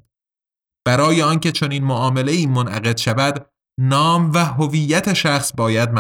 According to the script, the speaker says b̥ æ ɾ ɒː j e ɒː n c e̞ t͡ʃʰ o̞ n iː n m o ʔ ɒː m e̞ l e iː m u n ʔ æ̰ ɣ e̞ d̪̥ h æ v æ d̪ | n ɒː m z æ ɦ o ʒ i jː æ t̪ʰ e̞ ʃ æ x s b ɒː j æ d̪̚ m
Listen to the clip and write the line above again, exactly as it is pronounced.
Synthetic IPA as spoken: b̥ æ ɾ ɒː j e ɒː n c e̞ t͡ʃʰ o̞ n iː n m o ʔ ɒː m e̞ l e iː m o n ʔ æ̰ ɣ e̞ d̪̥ ʃ æ v æ d̪ | n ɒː m v æ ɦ o v i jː æ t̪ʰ e̞ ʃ æ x s b ɒː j æ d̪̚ m